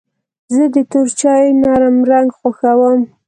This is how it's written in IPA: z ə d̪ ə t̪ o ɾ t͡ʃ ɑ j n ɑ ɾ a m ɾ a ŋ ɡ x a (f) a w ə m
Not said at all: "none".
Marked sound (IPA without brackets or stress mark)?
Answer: x